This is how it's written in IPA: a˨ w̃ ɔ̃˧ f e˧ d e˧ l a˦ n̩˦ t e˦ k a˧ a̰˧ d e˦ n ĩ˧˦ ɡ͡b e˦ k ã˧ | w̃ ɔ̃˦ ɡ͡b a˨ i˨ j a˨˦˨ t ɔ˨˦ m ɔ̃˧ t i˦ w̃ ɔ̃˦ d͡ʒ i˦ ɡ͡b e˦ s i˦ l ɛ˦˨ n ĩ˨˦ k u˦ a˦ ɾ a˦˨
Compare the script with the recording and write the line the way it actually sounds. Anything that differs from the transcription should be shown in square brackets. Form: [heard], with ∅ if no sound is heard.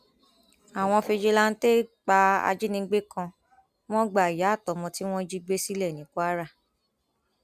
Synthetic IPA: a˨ w̃ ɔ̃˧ f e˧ [d͡ʒ] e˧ l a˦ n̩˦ t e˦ [k͡p] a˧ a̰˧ [d͡ʒ] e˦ n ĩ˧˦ ɡ͡b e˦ k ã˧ | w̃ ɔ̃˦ ɡ͡b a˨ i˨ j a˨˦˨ t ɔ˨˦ m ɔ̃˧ t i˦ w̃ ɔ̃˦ d͡ʒ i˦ ɡ͡b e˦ s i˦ l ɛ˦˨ n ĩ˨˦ k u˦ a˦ ɾ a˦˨